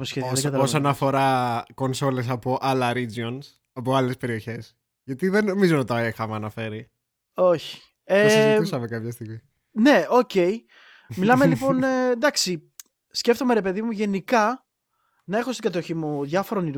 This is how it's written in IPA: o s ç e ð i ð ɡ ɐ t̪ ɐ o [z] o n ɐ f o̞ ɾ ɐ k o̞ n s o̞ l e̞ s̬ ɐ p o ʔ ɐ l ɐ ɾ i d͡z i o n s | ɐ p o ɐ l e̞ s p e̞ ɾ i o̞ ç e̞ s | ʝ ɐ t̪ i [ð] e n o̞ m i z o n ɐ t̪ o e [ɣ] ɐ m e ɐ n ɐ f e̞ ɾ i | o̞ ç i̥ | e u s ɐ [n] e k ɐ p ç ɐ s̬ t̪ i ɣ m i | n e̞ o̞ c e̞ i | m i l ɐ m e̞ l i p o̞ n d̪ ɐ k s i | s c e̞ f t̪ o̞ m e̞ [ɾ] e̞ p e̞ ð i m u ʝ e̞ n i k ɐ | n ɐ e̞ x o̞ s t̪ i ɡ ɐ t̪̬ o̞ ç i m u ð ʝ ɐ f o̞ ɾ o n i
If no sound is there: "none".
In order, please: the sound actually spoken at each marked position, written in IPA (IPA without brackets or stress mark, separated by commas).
s, ð, x, m, ɾ